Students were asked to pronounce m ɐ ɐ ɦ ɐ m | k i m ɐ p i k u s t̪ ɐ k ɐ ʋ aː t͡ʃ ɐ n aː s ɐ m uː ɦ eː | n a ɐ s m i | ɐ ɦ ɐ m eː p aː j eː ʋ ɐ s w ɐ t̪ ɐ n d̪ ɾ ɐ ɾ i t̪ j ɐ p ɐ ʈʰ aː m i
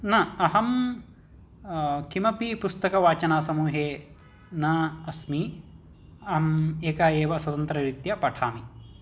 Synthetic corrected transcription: n ɐ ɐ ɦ ɐ m | k i m ɐ p i p u s t̪ ɐ k ɐ ʋ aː t͡ʃ ɐ n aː s ɐ m uː ɦ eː | n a ɐ s m i | ɐ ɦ ɐ m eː k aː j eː ʋ ɐ s w ɐ t̪ ɐ n t̪ ɾ ɐ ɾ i t̪ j ɐ p ɐ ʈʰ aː m i